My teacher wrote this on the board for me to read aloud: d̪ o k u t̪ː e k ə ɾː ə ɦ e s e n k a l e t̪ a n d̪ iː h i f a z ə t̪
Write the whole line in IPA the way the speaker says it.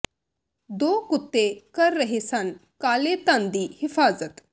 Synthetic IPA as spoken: d̪ o k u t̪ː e k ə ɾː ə ɦ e s a n k a l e t̪ a n d̪ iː h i f a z ə t̪